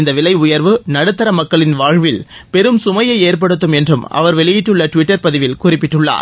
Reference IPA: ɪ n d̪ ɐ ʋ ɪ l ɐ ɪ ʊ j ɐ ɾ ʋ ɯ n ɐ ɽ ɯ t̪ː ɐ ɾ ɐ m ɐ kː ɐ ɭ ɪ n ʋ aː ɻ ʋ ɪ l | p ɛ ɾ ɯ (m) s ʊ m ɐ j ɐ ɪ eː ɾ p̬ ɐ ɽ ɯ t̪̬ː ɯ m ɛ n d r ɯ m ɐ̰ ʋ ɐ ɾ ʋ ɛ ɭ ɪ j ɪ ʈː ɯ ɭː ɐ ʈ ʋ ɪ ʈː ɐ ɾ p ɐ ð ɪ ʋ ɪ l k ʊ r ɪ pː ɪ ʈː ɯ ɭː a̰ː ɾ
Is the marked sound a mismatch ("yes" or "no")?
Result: no